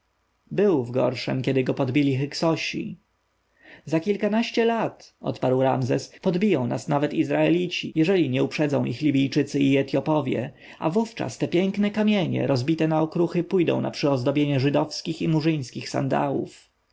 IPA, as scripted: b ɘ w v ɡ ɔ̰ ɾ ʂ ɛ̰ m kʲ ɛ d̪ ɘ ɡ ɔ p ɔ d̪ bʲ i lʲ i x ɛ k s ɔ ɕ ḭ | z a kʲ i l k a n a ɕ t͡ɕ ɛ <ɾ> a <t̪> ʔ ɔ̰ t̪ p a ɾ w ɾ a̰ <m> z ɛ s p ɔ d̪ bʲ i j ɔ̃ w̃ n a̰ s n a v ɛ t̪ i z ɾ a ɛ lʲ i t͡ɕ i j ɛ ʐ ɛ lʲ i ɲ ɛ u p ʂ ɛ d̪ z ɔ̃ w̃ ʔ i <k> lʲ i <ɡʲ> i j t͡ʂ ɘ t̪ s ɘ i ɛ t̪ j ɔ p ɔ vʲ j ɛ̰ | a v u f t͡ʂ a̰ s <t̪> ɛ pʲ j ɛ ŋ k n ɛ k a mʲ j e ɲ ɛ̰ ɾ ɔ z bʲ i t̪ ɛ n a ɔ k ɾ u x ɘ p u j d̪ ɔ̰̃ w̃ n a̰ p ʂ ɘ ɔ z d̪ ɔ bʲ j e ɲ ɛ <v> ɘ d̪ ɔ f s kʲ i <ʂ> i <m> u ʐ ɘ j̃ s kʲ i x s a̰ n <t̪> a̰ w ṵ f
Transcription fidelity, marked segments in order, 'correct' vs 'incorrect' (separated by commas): incorrect, correct, correct, incorrect, incorrect, correct, incorrect, incorrect, correct, incorrect